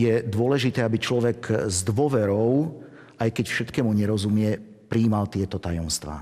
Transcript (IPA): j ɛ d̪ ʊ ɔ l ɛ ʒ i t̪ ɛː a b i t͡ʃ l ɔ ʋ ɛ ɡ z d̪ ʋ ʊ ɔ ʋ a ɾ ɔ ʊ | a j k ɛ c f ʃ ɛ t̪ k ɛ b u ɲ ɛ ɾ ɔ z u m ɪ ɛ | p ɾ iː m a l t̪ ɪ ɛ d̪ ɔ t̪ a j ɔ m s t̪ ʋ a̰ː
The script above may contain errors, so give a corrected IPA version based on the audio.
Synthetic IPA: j ɛ d̪ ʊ ɔ l ɛ ʒ i t̪ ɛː a b i t͡ʃ l ɔ ʋ ɛ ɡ z d̪ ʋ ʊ ɔ ʋ ɛ ɾ ɔ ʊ | a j k ɛ c f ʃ ɛ t̪ k ɛ m u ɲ ɛ ɾ ɔ z u m ɪ ɛ | p ɾ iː m a l t̪ ɪ ɛ t̪ ɔ t̪ a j ɔ m s t̪ ʋ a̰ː